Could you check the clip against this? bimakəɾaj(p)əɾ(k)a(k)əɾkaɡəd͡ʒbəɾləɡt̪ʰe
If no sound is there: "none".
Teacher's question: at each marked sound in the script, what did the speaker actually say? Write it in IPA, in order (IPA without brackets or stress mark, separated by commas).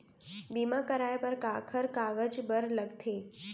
p, k, kʰ